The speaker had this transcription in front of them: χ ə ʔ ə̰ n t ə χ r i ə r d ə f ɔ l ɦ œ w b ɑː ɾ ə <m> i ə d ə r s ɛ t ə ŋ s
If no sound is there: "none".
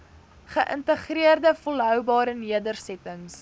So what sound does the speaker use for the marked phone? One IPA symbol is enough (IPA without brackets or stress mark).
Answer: n